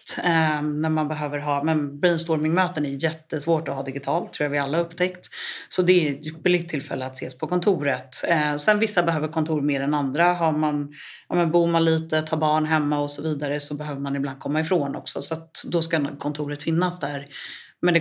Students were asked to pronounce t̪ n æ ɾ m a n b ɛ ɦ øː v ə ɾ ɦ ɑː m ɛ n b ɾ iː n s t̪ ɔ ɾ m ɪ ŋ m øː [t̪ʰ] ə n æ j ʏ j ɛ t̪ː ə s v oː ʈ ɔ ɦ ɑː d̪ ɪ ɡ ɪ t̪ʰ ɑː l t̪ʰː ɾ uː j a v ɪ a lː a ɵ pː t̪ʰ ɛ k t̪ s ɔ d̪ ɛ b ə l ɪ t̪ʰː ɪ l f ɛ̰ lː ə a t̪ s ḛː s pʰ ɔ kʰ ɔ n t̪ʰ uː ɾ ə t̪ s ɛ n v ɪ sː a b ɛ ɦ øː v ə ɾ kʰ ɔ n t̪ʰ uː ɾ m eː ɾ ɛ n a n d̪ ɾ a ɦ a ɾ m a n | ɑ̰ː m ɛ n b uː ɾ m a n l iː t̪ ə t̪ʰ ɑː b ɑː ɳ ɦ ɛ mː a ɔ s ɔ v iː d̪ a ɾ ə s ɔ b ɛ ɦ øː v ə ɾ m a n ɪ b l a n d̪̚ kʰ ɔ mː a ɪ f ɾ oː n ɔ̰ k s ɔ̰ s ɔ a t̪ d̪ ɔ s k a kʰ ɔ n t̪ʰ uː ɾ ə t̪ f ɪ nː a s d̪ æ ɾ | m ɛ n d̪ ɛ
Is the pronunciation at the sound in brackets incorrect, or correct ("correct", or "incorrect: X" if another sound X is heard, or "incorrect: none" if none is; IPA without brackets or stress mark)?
incorrect: t̪